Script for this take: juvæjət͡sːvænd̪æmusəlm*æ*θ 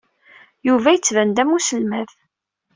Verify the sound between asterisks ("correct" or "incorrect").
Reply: correct